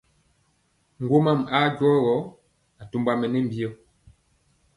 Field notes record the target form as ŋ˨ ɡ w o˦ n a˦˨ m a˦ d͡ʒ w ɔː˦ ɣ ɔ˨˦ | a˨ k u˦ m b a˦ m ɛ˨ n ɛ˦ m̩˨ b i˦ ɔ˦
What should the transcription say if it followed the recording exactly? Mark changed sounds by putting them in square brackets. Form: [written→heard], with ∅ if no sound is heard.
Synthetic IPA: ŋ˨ ɡ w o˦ [n→m] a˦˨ m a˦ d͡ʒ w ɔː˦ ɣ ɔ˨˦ | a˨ [k→t] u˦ m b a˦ m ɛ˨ n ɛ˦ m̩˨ b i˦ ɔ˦